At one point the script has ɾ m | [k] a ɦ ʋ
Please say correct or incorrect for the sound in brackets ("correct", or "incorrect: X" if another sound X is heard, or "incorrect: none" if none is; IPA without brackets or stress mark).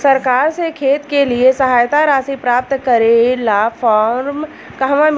correct